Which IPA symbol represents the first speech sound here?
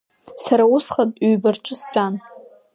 s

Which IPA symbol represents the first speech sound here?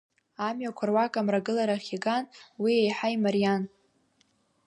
a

